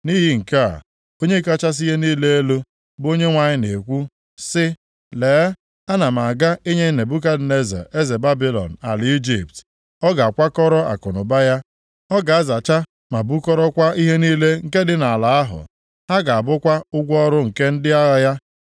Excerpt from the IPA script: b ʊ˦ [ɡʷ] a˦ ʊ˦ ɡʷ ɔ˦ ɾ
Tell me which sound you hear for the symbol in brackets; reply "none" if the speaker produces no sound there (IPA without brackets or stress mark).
kʷ